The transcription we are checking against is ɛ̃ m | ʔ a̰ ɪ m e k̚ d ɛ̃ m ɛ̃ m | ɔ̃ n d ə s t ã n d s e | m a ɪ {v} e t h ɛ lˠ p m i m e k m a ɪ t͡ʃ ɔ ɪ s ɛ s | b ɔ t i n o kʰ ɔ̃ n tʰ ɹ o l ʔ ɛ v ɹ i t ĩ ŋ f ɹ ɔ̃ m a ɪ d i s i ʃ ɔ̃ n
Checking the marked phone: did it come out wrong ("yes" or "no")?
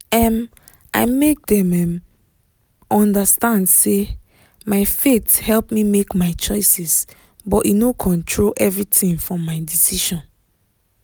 yes